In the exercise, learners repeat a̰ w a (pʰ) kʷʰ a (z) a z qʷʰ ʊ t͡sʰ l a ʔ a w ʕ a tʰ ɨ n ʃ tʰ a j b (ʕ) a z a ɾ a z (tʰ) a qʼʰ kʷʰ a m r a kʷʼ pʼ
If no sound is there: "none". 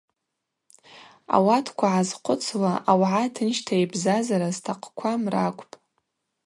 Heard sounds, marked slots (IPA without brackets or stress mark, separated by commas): tʰ, ʕ, z, tʰ